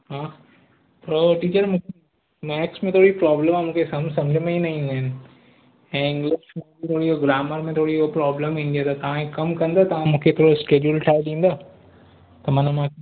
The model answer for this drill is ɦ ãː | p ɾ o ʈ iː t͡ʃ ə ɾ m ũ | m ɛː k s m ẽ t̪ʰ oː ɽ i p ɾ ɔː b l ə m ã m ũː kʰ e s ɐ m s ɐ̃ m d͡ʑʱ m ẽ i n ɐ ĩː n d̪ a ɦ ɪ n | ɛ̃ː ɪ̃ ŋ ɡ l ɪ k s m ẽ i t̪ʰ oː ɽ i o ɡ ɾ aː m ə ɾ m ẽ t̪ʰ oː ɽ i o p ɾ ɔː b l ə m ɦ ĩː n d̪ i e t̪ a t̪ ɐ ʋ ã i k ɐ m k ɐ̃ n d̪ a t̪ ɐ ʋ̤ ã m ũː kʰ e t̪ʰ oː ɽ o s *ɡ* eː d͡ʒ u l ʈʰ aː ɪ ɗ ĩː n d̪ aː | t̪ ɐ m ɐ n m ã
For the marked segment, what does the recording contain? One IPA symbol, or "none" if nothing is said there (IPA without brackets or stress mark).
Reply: k